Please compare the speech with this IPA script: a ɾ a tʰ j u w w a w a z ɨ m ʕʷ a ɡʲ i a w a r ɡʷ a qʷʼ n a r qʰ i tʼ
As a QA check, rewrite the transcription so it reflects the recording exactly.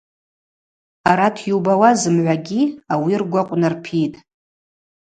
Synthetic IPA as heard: a ɾ a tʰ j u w b a w a z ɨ m ʕʷ a ɡʲ i a w i r ɡʷ a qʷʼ n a r pʰ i tʼ